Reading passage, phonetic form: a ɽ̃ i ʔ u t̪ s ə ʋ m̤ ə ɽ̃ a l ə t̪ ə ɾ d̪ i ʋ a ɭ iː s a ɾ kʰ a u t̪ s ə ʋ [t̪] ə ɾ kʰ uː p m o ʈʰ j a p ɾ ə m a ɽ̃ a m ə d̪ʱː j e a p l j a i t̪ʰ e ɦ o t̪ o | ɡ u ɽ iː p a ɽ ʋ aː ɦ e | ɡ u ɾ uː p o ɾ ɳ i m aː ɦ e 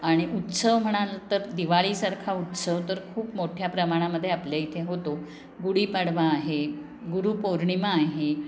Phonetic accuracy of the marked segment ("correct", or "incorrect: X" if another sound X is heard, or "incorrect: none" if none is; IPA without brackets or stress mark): correct